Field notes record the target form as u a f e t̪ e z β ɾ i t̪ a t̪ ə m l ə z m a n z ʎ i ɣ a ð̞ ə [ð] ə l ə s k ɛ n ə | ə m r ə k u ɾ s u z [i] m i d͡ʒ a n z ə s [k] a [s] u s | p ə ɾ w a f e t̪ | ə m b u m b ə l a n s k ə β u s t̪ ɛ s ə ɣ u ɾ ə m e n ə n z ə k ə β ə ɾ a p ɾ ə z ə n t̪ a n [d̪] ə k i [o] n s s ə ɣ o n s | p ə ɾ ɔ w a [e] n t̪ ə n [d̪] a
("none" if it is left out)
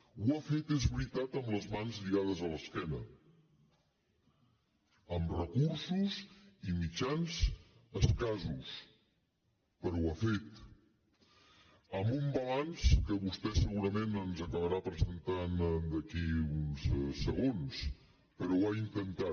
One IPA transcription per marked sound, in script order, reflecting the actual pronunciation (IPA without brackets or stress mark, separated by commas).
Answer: z, i, k, z, d̪, u, i, t̪